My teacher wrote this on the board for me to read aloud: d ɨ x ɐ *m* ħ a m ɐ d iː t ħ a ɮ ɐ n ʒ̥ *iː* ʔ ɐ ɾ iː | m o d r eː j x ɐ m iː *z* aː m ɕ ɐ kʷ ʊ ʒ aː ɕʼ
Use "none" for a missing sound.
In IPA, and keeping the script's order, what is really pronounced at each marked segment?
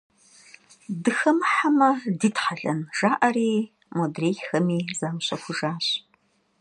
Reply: m, aː, z

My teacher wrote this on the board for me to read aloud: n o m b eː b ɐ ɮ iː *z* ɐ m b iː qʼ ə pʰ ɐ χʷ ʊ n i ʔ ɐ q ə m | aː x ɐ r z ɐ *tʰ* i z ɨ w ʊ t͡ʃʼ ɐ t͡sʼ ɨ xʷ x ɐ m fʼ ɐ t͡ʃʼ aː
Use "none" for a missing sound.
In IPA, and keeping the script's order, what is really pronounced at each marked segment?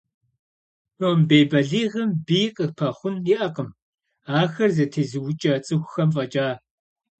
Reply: ʁ, tʰ

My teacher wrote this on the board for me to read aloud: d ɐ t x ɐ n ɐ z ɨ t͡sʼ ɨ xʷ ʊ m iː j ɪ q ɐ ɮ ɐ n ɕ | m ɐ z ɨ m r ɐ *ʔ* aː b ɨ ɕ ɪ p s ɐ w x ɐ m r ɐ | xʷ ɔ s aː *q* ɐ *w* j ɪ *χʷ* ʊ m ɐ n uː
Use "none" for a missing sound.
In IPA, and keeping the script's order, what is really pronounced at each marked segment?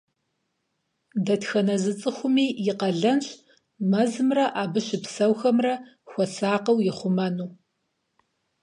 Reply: ʔ, q, w, χʷ

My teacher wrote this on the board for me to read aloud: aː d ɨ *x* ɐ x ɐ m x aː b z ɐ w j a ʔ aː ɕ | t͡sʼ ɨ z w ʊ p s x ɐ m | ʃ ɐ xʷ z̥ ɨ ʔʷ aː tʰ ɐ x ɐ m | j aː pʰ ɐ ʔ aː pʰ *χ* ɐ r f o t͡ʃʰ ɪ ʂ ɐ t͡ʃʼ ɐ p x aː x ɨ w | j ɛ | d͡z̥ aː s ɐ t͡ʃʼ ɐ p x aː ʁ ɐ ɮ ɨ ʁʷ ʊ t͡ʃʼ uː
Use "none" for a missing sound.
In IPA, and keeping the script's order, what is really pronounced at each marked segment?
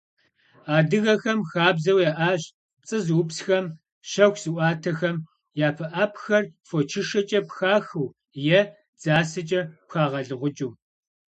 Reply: ɣ, x

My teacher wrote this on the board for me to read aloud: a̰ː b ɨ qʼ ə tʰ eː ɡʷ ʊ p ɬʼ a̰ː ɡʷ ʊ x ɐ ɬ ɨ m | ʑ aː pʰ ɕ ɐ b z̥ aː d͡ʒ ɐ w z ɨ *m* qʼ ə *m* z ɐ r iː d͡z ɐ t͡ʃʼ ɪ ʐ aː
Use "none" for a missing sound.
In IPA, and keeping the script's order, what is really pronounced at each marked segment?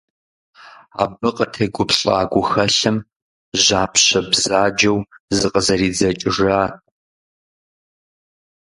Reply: none, none

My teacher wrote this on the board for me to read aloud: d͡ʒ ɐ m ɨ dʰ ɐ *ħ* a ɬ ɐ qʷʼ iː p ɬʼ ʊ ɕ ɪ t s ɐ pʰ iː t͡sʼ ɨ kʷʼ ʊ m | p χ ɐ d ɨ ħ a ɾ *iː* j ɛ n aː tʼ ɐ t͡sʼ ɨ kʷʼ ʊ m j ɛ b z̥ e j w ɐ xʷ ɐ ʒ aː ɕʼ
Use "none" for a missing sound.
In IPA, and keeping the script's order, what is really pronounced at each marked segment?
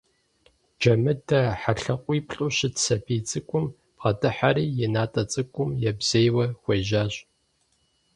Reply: ħ, iː

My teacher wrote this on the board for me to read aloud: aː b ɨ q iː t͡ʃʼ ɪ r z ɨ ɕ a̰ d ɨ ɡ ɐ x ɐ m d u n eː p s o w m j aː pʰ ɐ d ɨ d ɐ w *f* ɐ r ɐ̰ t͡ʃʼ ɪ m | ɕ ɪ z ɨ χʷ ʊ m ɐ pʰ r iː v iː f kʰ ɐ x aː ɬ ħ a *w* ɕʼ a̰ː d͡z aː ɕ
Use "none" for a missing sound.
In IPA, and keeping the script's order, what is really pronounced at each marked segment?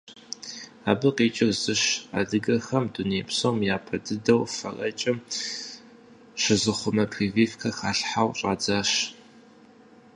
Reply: f, w

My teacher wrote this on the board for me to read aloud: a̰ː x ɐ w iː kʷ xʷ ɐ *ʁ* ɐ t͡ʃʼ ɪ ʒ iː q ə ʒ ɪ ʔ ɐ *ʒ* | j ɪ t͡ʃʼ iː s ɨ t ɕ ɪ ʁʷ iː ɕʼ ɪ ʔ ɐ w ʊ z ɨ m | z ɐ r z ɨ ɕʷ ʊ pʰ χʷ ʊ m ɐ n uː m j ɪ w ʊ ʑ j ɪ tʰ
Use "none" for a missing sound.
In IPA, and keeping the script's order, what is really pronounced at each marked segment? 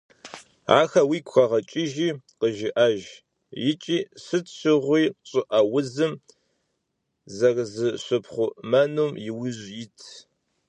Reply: ʁ, ʒ

